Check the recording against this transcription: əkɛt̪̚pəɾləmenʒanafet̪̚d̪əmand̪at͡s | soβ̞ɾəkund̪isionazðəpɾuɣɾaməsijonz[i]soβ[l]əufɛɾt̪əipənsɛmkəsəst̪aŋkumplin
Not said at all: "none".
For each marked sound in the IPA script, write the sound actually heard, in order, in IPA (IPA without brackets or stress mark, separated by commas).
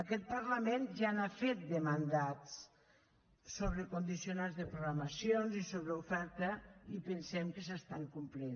i, ɾ